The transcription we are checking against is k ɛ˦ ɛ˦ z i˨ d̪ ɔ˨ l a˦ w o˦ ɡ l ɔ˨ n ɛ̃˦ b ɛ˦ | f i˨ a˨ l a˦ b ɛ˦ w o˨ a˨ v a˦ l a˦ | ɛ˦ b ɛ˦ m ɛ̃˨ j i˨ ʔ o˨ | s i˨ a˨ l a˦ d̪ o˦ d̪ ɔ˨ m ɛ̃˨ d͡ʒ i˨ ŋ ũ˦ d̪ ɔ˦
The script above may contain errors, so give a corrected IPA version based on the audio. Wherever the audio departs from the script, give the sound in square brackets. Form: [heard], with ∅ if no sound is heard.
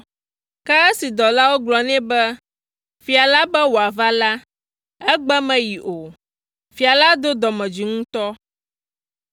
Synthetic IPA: k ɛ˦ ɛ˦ [s] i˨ d̪ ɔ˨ l a˦ w o˦ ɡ l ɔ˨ n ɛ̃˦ b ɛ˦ | f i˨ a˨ l a˦ b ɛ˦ w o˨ a˨ v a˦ l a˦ | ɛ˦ [ɡ͡b] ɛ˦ m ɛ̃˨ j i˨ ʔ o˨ | [f] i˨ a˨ l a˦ d̪ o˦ d̪ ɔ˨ m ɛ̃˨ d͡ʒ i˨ ŋ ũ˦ [t̪] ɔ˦